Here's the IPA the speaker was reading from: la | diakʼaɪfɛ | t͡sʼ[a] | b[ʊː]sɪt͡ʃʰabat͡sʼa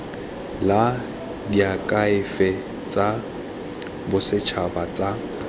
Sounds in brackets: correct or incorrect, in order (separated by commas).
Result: correct, incorrect